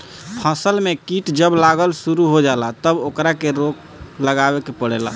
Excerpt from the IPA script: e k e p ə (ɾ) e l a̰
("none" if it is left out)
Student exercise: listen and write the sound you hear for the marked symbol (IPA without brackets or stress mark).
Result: ɽ